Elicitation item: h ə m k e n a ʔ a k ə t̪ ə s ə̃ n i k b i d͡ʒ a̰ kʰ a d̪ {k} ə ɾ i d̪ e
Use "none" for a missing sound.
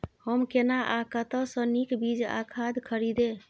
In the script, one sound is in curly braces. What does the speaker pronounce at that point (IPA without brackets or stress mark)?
kʰ